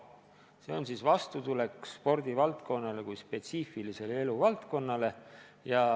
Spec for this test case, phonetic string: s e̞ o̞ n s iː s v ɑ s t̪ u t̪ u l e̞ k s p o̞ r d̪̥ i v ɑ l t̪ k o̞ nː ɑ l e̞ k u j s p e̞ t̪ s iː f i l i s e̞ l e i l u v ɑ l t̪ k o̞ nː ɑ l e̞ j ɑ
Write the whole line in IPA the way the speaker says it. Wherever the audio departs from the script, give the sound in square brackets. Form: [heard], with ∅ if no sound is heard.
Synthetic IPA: s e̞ o̞ n s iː s v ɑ s t̪ u t̪ u l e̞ k s p o̞ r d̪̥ i v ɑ l t̪ k o̞ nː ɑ l e̞ k u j s p e̞ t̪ s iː f i l i s e̞ l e [e] l u v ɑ l t̪ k o̞ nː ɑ l e̞ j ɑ